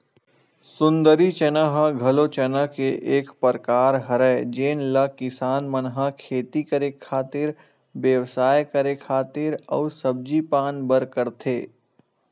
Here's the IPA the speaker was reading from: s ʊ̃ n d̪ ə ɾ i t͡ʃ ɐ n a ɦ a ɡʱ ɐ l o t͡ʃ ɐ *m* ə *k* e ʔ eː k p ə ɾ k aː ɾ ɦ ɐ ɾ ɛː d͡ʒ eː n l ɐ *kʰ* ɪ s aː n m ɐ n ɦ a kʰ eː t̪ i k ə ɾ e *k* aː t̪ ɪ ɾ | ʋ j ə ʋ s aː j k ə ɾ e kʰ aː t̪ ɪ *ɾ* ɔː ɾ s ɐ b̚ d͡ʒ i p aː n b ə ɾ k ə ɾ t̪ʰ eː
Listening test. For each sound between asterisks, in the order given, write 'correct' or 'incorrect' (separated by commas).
incorrect, correct, incorrect, incorrect, correct